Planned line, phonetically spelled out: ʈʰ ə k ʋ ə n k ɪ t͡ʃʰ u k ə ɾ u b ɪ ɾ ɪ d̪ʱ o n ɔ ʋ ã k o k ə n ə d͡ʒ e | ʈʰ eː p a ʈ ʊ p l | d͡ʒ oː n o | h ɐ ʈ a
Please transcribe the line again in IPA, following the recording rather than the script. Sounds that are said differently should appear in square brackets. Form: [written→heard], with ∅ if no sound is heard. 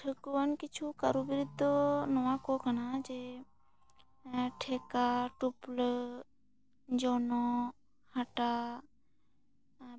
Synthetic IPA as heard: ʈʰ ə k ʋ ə n k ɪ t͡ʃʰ u k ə ɾ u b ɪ ɾ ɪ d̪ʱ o n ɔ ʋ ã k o k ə n [ə→a] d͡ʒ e | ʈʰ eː [p→k] a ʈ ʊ p l | d͡ʒ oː n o | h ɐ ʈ a